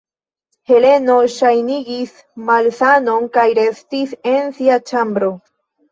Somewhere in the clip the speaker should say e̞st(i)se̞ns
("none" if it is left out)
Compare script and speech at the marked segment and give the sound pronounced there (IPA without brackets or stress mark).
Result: i